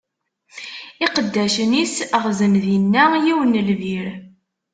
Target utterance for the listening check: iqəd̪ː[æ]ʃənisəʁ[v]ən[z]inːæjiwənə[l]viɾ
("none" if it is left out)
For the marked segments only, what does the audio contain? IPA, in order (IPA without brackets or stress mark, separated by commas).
æ, z, ð, l